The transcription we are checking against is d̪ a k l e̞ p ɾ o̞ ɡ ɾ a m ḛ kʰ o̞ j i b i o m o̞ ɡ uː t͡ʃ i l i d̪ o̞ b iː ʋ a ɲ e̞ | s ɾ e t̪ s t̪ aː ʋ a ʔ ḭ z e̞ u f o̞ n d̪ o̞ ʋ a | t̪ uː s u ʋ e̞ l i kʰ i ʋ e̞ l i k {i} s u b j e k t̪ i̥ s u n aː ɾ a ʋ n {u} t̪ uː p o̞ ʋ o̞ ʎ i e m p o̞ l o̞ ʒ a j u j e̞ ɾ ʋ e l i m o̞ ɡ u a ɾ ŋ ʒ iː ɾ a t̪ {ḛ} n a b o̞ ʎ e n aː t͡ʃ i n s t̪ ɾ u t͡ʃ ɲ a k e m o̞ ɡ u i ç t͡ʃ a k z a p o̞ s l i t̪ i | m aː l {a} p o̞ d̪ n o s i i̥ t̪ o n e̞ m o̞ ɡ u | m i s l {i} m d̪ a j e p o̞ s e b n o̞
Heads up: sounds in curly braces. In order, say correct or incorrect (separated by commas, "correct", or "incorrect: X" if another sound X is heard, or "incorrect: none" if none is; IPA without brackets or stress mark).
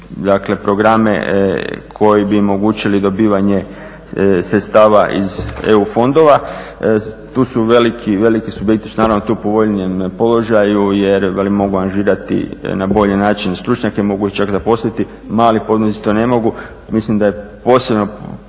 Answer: correct, incorrect: o, incorrect: ḭ, incorrect: i, correct